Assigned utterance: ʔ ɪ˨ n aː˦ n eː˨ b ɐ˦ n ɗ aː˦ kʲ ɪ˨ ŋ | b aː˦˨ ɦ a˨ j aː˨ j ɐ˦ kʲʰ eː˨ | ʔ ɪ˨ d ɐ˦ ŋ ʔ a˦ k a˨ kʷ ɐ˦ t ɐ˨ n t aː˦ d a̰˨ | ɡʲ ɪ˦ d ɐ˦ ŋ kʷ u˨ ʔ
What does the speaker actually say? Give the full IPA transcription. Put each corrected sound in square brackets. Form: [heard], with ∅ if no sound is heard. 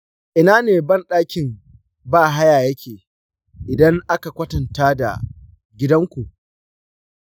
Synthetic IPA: ʔ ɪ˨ n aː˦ n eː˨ b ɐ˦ n ɗ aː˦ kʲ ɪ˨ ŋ | b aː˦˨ ɦ [a˦] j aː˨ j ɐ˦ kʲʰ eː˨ | ʔ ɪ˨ d ɐ˦ ŋ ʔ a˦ k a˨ kʷ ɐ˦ t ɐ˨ n t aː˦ d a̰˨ | ɡʲ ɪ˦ d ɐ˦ ŋ kʷ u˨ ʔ